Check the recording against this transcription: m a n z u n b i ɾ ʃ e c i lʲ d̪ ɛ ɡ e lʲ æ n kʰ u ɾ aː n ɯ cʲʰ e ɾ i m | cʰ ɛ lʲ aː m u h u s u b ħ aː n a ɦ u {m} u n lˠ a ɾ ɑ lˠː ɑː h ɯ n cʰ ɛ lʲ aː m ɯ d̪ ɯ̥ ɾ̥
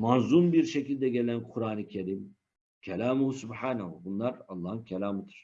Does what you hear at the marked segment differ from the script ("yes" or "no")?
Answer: yes